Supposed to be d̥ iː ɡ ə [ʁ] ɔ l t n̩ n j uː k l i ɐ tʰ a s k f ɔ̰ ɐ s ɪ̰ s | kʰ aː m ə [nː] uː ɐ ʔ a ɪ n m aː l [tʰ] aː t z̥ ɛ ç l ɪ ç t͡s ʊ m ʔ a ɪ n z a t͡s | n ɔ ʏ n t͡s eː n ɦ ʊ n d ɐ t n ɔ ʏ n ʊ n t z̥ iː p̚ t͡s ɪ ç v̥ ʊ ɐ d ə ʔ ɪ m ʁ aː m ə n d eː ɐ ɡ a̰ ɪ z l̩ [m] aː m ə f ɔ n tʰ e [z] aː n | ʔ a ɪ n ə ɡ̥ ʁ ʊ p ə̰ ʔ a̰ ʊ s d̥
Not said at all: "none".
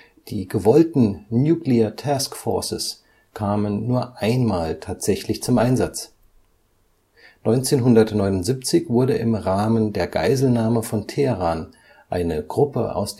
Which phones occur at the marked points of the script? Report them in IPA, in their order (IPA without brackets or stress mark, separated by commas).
v, nː, tʰ, n, ʁ